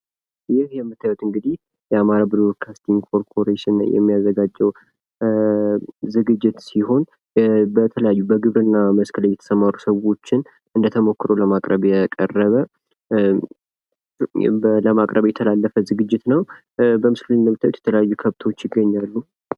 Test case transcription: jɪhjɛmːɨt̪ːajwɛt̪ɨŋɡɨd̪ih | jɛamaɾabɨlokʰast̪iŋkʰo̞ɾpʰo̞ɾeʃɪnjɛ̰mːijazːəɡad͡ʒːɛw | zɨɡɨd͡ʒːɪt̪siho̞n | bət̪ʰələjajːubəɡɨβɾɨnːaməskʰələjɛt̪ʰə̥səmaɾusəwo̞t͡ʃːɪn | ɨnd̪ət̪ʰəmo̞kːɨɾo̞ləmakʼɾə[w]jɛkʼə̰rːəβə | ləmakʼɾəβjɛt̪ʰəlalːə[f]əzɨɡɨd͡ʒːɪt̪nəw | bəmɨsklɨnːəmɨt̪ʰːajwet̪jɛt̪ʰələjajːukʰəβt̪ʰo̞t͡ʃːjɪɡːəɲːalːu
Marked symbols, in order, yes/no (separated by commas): no, yes